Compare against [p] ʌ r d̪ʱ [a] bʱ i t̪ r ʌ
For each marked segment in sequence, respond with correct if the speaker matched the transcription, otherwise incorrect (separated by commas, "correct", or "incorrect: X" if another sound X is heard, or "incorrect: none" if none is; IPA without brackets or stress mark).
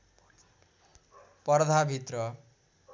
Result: correct, correct